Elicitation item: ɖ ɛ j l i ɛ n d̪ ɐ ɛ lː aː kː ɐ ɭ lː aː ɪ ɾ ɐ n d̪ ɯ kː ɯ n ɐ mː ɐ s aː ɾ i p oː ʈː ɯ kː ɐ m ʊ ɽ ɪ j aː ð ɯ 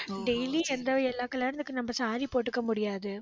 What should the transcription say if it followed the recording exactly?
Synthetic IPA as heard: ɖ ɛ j l i ɛ n d̪ ɐ ɛ lː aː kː ɐ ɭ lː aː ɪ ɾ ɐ n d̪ ɯ kː ɯ n ɐ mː ɐ s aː ɾ i p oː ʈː ɯ kː ɐ m ʊ ɽ ɪ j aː ð ɯ